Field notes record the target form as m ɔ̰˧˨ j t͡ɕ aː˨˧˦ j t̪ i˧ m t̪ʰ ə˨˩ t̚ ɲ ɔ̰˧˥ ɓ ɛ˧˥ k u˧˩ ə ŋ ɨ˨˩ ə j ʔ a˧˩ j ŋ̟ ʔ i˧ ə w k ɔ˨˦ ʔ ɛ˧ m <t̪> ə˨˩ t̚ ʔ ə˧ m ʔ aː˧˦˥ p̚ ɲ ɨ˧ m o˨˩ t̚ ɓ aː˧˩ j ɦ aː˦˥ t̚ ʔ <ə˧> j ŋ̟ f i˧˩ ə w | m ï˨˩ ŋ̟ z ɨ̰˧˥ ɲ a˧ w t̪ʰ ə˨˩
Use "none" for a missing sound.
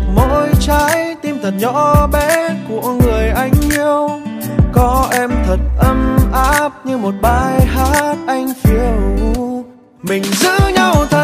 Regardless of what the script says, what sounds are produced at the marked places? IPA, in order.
t̪ʰ, a˧

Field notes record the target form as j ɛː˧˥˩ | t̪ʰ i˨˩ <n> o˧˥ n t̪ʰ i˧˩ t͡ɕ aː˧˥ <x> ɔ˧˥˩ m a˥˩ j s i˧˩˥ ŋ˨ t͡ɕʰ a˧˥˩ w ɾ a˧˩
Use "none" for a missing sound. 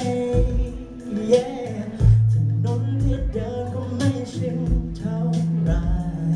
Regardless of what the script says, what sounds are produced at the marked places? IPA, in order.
n, k

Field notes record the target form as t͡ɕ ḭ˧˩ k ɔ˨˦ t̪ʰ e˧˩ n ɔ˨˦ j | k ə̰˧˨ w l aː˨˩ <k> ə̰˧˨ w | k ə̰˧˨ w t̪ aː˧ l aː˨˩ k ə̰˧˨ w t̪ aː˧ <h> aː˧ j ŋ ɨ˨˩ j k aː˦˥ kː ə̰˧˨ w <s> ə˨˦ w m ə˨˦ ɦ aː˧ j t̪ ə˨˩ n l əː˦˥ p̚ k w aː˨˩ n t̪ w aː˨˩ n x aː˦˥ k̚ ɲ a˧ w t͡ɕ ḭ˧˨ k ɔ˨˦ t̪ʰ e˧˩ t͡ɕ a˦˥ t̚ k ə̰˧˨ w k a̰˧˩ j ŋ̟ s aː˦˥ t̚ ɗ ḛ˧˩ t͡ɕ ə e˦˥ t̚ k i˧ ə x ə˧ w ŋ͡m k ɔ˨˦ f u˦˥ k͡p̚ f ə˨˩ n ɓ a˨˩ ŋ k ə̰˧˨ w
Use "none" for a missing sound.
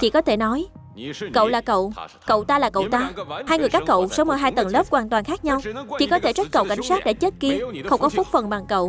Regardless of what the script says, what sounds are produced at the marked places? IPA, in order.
k, h, s

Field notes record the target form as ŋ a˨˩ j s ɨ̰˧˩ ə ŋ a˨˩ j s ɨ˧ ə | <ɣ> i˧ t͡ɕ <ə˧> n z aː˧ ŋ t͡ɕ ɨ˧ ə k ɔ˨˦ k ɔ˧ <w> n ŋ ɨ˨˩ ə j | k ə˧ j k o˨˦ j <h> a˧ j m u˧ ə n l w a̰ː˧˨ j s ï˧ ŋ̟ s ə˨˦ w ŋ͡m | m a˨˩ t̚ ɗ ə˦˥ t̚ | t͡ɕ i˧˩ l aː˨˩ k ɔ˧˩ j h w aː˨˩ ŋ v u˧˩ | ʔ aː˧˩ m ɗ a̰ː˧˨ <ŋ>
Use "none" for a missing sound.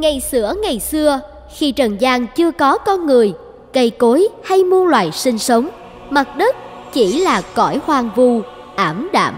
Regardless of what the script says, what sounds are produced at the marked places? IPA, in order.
x, ə˨˩, none, h, m

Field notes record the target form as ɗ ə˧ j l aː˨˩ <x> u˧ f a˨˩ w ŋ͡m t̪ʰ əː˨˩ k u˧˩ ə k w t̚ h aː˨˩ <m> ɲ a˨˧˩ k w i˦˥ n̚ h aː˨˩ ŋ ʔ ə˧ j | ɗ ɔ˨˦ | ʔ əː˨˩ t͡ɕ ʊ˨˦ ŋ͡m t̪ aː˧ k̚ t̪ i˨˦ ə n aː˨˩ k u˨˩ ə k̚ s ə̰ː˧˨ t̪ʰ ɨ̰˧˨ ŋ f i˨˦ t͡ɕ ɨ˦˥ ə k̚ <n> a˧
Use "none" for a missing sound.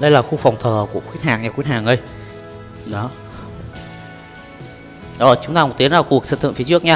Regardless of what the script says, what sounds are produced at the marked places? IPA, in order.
x, ŋ, ɲ

